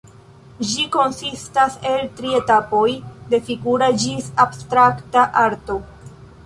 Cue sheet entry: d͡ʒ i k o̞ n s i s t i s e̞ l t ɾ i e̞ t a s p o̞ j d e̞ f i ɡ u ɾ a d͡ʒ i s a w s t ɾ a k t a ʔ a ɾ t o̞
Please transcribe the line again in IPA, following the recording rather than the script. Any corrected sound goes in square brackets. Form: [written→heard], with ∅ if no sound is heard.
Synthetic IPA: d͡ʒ i k o̞ n s i s t [i→a] s e̞ l t ɾ i e̞ t a [s→∅] p o̞ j d e̞ f i ɡ u ɾ a d͡ʒ i s a [w→b] s t ɾ a k t a ʔ a ɾ t o̞